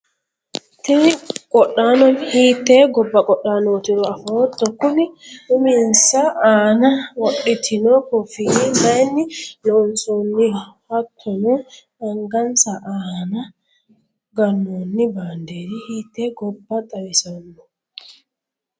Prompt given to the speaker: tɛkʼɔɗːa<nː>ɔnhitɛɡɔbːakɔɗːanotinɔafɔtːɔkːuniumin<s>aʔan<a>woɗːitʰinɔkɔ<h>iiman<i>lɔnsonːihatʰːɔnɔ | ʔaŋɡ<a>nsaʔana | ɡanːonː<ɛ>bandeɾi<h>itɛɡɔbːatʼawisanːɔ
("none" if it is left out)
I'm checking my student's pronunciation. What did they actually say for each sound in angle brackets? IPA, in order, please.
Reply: n, s, a, f, i, a, i, h

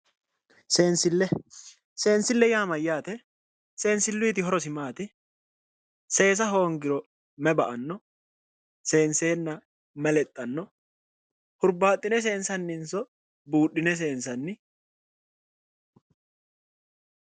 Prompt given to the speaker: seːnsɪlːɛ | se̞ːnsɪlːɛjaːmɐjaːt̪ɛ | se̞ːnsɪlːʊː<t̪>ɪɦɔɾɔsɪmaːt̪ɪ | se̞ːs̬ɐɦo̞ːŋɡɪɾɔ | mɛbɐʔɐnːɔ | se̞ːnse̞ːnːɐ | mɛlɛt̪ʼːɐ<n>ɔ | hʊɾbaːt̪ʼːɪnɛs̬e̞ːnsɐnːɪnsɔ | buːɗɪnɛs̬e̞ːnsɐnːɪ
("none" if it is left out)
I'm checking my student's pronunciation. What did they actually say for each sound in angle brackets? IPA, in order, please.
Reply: t̪, nː

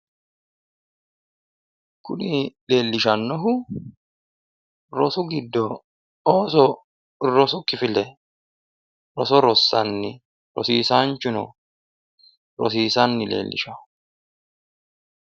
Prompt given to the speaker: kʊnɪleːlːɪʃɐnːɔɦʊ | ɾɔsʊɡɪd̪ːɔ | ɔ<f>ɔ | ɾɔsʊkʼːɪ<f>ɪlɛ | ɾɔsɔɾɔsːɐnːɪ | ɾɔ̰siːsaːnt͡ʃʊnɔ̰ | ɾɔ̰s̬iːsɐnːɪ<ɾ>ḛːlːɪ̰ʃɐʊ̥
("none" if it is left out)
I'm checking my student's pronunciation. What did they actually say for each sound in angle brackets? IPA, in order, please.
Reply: s, f, l

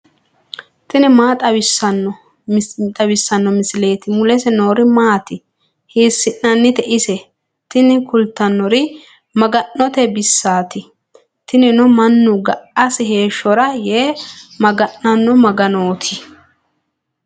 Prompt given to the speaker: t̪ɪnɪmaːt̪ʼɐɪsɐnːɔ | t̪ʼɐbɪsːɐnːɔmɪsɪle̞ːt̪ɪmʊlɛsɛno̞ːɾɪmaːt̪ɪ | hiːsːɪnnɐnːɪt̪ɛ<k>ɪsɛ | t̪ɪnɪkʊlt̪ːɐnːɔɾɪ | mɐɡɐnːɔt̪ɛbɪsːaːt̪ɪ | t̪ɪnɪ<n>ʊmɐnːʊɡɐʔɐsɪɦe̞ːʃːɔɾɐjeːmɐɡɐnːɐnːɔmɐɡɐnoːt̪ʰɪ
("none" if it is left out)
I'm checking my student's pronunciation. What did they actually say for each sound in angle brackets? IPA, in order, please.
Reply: ʔ, n

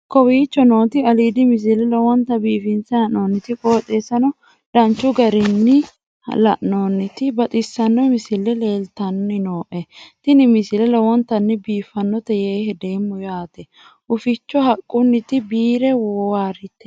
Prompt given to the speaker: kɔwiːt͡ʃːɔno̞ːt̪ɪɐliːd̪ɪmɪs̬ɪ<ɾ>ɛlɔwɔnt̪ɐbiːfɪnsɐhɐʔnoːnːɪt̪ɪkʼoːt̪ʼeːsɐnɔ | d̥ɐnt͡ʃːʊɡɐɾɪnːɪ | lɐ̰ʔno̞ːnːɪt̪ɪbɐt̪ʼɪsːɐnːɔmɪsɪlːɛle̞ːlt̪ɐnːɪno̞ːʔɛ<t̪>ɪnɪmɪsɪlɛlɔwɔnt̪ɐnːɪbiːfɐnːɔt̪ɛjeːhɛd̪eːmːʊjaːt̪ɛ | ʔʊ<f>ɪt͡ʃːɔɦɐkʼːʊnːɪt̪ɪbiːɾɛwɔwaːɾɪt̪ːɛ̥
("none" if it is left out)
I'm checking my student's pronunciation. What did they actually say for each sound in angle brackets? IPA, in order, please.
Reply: l, t̪, f

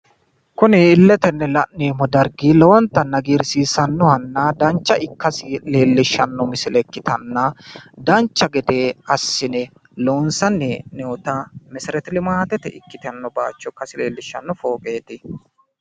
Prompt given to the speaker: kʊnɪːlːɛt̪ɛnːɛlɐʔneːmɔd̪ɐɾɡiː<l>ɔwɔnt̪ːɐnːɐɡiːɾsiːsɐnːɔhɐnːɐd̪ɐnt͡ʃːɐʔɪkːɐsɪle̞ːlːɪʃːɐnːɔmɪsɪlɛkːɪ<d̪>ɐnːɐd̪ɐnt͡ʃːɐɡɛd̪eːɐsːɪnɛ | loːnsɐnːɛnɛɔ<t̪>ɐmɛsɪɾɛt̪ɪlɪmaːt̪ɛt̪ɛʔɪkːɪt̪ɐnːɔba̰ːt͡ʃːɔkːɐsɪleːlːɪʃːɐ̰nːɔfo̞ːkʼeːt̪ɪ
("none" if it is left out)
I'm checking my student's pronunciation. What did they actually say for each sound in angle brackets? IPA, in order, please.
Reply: l, t̪, t̪

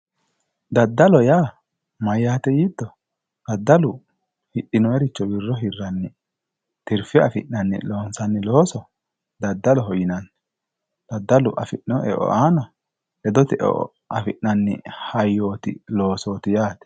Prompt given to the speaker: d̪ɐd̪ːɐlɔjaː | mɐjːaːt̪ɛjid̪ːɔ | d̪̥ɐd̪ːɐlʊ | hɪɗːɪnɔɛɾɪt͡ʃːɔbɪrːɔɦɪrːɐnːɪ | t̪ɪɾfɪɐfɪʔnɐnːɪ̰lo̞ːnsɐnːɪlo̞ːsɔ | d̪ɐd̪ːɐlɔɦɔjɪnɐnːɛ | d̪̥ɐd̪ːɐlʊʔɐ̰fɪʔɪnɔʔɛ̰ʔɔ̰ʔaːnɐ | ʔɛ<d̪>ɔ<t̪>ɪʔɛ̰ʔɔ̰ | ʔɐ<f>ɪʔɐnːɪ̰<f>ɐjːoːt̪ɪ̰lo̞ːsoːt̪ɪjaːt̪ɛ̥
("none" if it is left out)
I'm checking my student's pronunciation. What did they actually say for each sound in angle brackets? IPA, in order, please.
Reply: d̪, t̪, f, h

